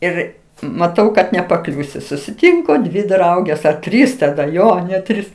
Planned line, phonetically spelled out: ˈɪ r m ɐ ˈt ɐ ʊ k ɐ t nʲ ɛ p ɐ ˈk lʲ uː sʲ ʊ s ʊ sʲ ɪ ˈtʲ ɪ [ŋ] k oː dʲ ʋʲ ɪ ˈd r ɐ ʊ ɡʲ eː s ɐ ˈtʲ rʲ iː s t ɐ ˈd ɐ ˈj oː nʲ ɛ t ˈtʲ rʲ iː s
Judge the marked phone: correct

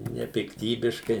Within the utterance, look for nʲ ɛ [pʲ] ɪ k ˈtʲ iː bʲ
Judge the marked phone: correct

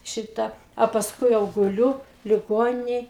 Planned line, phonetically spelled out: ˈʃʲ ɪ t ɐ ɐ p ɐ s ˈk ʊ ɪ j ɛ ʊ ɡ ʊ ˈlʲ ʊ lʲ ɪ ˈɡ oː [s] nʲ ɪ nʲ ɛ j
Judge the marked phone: incorrect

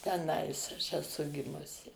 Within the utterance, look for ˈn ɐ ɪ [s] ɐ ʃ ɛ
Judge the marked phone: correct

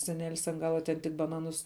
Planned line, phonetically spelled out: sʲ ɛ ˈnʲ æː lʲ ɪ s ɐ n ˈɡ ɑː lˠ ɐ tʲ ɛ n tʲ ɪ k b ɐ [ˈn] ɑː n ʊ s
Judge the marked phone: correct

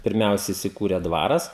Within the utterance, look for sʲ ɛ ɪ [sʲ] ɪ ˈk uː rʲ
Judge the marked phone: correct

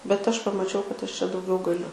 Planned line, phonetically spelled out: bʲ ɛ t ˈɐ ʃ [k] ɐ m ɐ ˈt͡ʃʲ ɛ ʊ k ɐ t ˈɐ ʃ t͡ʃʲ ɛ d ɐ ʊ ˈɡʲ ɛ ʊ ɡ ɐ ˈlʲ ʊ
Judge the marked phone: incorrect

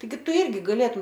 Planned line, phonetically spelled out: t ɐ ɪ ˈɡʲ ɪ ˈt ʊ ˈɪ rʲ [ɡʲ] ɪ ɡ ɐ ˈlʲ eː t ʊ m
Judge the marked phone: correct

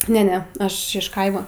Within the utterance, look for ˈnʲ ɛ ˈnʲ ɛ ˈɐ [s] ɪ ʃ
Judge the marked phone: incorrect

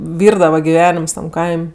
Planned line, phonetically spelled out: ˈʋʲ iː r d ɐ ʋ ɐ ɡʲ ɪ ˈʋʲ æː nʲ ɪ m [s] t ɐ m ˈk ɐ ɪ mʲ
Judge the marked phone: correct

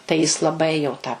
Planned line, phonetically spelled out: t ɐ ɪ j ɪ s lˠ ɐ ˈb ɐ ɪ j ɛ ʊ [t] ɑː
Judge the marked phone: correct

